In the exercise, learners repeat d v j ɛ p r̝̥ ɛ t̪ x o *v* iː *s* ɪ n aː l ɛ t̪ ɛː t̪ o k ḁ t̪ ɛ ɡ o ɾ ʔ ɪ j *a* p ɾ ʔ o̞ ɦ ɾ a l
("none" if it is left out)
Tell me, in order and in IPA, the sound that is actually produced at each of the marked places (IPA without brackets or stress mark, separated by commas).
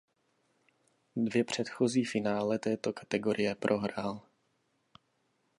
z, f, ɛ